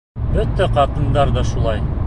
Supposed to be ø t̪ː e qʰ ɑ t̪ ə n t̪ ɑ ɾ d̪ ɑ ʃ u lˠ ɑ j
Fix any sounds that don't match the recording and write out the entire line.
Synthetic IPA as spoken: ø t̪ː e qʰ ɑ t̪ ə n d̪ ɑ ɾ d̪ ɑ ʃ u lˠ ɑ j

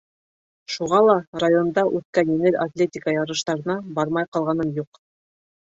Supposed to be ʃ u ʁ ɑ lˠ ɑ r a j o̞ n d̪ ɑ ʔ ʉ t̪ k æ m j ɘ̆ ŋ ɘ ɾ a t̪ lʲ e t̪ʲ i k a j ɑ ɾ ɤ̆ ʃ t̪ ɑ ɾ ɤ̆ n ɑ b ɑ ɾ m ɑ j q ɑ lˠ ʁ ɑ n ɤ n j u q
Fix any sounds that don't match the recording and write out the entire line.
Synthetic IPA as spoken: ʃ u ʁ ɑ lˠ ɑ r a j o̞ n d̪ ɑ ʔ ʉ t̪ k æ n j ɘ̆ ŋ ɘ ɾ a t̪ lʲ e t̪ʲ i k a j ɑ ɾ ɤ̆ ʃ t̪ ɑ ɾ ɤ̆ n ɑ b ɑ ɾ m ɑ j q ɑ lˠ ʁ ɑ n ɤ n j u q

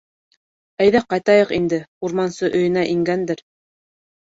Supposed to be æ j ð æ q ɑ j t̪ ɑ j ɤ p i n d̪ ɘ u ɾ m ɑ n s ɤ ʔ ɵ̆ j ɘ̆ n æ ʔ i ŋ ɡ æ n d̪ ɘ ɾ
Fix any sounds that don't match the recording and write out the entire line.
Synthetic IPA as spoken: æ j ð æ q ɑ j t̪ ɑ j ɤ q i n d̪ ɘ u ɾ m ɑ n s ɤ ʔ ɵ̆ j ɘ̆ n æ ʔ i ŋ ɡ æ n d̪ ɘ ɾ

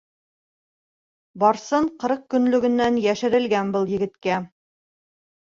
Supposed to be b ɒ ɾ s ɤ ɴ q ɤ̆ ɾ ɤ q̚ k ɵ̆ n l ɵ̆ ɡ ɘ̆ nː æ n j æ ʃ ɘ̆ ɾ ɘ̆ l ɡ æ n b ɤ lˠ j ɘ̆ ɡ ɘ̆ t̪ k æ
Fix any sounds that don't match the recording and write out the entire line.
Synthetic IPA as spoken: b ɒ ɾ s ɤ ɴ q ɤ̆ ɾ ɤ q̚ k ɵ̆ n l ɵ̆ ɡ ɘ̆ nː æ n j æ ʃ ɘ̆ ɾ ɘ̆ l ɡ æ n b ɤ lˠ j ɘ̆ ɡ ɘ̆ t̪ k æ

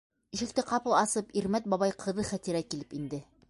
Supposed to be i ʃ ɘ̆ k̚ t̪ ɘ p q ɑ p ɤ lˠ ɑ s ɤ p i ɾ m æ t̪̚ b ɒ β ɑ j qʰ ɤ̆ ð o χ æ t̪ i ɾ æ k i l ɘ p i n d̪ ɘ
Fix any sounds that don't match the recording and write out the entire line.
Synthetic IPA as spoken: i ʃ ɘ̆ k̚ t̪ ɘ q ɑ p ɤ lˠ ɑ s ɤ p i ɾ m æ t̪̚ b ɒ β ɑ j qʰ ɤ̆ ð ɤ χ æ t̪ i ɾ æ k i l ɘ p i n d̪ ɘ

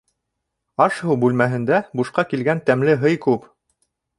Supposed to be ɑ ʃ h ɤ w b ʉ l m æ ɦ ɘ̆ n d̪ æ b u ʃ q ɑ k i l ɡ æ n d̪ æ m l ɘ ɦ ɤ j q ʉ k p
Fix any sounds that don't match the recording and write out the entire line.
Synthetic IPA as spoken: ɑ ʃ h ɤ w b ʉ l m æ ɦ ɘ̆ n d̪ æ b u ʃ q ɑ k i l ɡ æ n t̪ æ m l ɘ ɦ ɤ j k ʉ p

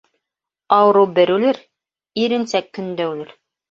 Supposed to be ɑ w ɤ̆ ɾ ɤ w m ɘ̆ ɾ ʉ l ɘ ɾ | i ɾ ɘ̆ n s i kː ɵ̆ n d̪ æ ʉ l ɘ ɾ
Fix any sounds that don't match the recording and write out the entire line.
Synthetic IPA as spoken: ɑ w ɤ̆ ɾ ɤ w b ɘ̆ ɾ ʉ l ɘ ɾ | i ɾ ɘ̆ n s æ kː ɵ̆ n d̪ æ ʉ l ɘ ɾ

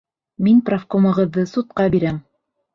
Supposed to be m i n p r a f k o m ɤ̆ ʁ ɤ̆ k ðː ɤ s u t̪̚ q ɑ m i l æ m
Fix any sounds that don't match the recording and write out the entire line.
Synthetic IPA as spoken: m i n p r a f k o m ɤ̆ ʁ ɤ̆ ðː ɤ s u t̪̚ q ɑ b i ɾ æ m

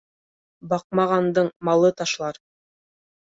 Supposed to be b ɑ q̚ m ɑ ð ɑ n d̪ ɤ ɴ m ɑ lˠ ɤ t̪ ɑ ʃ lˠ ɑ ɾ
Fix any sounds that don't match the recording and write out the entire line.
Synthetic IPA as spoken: b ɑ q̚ m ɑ ʁ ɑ n d̪ ɤ ɴ m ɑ lˠ ɤ t̪ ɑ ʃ lˠ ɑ ɾ

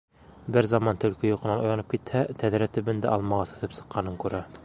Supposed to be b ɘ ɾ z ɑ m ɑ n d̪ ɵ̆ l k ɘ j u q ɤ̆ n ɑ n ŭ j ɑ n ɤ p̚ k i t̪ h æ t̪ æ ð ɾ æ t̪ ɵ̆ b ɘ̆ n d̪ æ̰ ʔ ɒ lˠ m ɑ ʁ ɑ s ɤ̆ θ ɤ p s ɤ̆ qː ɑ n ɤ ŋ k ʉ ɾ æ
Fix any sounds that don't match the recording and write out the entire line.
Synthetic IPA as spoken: b ɘ ɾ z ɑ m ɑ n t̪ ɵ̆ l k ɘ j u q ɤ̆ n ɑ n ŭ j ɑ n ɤ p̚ k i t̪ h æ t̪ æ ð ɾ æ t̪ ɵ̆ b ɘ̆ n d̪ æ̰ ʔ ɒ lˠ m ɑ ʁ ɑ s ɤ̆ θ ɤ p s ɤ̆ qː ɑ n ɤ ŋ k ʉ ɾ æ

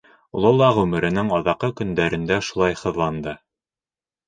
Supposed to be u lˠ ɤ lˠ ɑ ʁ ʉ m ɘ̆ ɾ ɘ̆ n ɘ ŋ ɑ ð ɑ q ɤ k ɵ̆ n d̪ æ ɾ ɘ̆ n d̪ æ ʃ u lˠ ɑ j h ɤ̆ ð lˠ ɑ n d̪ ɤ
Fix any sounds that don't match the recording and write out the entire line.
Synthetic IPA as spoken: u lˠ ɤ lˠ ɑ ʁ ʉ m ɘ̆ ɾ ɘ̆ n ɘ ŋ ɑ ð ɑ q ɤ k ɵ̆ n d̪ æ ɾ ɘ̆ n d̪ æ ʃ u lˠ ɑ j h ɤ̆ ð lˠ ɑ n d̪ ɤ

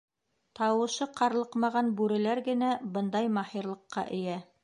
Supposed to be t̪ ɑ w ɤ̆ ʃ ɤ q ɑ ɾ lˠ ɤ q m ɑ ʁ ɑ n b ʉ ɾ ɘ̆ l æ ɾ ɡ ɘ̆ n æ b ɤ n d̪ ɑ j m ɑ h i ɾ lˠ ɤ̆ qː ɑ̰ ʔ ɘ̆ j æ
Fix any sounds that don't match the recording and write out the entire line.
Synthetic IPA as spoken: t̪ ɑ w ɤ̆ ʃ ɤ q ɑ ɾ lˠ ɤ q m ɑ ʁ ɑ n b ʉ ɾ ɘ̆ l æ ɾ ɡ ɘ̆ n æ b ɤ n d̪ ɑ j m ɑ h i ɾ lˠ ɤ̆ qː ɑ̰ ʔ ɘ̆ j æ

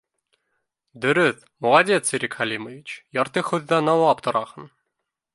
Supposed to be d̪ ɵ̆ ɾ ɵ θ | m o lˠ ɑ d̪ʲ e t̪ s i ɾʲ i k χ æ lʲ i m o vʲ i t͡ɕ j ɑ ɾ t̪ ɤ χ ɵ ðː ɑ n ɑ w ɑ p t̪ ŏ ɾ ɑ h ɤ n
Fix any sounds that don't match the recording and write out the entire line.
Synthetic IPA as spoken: d̪ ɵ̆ ɾ ɵ θ | m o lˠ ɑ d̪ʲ e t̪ s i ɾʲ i k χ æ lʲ i m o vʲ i t͡ɕ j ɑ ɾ t̪ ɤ χ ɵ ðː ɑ n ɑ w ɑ p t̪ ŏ ɾ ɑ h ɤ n

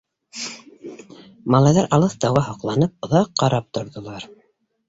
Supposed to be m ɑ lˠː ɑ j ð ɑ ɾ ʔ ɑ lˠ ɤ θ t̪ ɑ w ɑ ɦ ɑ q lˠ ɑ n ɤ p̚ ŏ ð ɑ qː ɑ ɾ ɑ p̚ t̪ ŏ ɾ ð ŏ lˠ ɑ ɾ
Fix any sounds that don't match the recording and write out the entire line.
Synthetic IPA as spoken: m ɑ lˠ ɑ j ð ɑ ɾ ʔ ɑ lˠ ɤ θ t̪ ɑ w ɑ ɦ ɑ q lˠ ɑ n ɤ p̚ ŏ ð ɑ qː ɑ ɾ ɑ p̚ t̪ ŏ ɾ ð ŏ lˠ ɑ ɾ

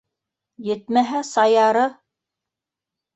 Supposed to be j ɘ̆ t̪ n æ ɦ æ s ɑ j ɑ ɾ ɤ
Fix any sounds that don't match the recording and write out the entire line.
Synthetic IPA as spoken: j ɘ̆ t̪ m æ ɦ æ s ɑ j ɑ ɾ ɤ

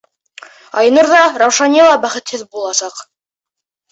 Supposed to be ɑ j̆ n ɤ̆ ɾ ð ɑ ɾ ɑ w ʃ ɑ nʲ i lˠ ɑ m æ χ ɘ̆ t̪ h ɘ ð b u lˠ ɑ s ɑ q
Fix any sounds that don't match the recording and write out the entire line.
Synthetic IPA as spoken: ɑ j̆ n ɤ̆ ɾ ð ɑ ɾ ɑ w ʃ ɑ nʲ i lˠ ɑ b æ χ ɘ̆ t̪ h ɘ ð b u lˠ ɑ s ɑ q

